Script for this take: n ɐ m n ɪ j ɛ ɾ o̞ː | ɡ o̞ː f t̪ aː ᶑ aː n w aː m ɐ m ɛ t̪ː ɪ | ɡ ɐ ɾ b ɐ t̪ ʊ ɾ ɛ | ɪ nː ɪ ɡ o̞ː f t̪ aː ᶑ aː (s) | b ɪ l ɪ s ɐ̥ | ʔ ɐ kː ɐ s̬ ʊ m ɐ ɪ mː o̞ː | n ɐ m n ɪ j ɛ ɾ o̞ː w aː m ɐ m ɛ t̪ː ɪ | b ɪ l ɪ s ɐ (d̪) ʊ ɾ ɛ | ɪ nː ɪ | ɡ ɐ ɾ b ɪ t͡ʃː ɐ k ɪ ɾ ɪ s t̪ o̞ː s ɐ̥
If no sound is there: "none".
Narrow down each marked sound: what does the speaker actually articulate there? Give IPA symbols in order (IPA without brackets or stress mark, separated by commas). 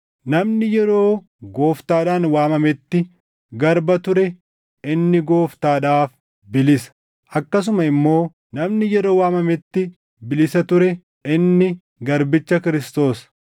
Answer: f, t̪